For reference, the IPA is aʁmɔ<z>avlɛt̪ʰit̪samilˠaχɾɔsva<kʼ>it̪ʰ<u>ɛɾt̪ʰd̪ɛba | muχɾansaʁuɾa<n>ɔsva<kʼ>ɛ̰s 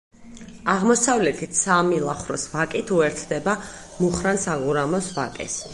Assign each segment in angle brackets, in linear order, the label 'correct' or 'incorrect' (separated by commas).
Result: incorrect, correct, correct, incorrect, correct